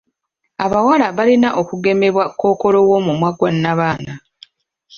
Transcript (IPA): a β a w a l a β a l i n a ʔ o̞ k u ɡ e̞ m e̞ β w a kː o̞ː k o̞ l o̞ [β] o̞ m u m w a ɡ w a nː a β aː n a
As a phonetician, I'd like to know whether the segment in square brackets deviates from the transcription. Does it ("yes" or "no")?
yes